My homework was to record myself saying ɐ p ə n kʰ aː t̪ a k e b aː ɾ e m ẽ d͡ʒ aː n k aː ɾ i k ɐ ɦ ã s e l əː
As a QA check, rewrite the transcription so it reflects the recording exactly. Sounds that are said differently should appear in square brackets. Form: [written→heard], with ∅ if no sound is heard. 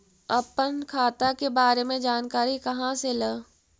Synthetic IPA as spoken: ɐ p ə n kʰ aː t̪ a k e b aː ɾ e m ẽ d͡ʒ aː n k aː ɾ i k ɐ ɦ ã s e l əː

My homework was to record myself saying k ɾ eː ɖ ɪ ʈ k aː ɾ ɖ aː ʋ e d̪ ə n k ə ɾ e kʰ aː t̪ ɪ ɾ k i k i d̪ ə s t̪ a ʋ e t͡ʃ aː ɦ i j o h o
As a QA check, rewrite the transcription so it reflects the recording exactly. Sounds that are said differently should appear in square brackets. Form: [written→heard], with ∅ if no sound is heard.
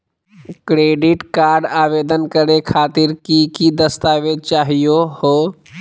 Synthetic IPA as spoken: k ɾ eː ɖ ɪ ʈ k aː ɾ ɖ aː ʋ e d̪ ə n k ə ɾ e kʰ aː t̪ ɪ ɾ k i k i d̪ ə s t̪ a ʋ e t͡ʃ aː ɦ i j o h o

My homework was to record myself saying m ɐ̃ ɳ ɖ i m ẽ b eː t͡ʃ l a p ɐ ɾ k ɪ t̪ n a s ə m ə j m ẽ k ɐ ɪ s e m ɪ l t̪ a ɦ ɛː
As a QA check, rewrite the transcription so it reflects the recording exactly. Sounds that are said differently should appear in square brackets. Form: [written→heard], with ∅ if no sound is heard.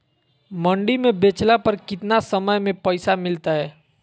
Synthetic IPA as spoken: m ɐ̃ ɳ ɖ i m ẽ b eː t͡ʃ l a p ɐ ɾ k ɪ t̪ n a s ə m ə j m ẽ [k→p] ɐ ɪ s [e→a] m ɪ l t̪ a ɦ ɛː

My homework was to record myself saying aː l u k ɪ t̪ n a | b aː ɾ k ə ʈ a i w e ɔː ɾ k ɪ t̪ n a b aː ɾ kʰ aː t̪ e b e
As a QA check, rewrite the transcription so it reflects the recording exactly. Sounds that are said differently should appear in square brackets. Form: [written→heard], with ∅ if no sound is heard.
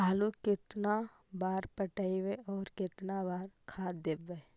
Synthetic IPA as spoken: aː l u k ɪ t̪ n a | b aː ɾ [k→p] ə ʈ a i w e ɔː ɾ k ɪ t̪ n a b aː ɾ kʰ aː [t̪→d̪] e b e

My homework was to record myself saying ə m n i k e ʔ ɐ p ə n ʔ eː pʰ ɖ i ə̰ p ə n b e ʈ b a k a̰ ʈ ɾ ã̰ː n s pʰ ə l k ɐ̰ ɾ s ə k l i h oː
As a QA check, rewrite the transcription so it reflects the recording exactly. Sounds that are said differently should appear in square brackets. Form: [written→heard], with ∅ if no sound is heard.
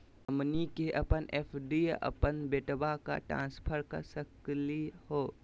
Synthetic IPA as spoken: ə m n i k e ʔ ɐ p ə n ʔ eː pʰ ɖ i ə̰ p ə n b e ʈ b a k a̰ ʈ ɾ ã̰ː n s pʰ ə [l→ɾ] k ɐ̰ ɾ s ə k l i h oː

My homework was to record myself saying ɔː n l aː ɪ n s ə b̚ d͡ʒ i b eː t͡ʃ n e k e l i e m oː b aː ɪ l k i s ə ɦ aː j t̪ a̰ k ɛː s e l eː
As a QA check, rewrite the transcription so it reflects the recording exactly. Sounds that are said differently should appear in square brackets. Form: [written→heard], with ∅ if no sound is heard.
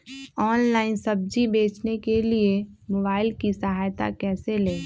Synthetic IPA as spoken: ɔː n l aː ɪ n s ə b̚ d͡ʒ i b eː t͡ʃ n e k e l i e m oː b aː ɪ l k i s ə ɦ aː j t̪ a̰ k ɛː s e l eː

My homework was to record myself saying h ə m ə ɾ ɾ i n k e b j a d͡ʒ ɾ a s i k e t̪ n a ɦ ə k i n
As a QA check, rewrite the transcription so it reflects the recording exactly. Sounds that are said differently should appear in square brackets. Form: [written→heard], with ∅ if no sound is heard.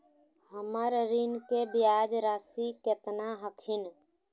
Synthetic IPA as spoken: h ə m ə ɾ ɾ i n k e b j a d͡ʒ ɾ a s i k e t̪ n a ɦ ə [k→kʰ] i n

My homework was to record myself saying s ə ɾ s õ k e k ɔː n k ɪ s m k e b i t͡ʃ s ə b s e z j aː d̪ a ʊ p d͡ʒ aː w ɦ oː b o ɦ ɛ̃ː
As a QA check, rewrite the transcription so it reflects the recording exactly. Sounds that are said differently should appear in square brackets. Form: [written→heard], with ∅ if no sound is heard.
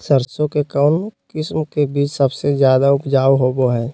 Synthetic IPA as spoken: s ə ɾ s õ k e k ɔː n k ɪ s m k e b [i→iː] t͡ʃ s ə b s e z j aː d̪ a ʊ p d͡ʒ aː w ɦ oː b o ɦ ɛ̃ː

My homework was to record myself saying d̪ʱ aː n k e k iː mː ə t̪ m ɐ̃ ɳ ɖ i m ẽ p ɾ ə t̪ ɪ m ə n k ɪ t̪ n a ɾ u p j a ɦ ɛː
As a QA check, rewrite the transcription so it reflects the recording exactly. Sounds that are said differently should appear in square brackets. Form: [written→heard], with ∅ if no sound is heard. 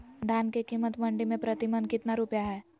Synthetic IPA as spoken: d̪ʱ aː n k e k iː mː ə t̪ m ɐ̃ ɳ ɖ i m ẽ p ɾ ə t̪ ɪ m ə n k ɪ t̪ n a ɾ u p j a ɦ ɛː

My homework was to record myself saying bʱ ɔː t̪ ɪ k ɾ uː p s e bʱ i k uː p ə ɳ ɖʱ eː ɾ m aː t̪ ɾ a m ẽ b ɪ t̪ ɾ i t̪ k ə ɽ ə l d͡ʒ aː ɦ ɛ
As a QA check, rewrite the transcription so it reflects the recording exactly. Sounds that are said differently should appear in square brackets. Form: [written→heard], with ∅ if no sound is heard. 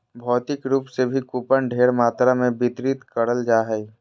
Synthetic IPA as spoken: bʱ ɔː t̪ ɪ k ɾ uː p s e bʱ i k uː p ə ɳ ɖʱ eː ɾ m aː t̪ ɾ a m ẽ b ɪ t̪ ɾ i t̪ k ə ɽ ə l d͡ʒ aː ɦ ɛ

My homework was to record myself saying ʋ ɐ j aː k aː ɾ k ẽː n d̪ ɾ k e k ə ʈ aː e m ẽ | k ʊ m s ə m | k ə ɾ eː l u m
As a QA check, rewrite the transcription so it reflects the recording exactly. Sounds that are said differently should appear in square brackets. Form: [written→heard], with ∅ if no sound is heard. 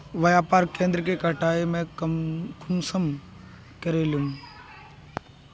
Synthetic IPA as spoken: ʋ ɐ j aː [k→p] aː ɾ k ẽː n d̪ ɾ k e k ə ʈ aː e m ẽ | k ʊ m s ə m | k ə ɾ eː l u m

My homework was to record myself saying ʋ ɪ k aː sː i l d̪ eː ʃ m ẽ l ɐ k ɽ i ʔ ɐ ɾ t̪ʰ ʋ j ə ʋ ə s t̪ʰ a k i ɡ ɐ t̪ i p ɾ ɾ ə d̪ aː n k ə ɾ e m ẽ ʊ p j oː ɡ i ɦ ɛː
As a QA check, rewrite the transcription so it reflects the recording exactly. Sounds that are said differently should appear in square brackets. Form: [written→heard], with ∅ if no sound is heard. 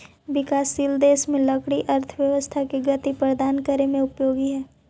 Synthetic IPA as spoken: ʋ ɪ k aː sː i l d̪ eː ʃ m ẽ l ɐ k ɽ i ʔ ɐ ɾ t̪ʰ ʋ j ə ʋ ə s t̪ʰ a k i ɡ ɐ t̪ i p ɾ ɾ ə d̪ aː n k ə ɾ e m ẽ ʊ p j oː ɡ i ɦ ɛː

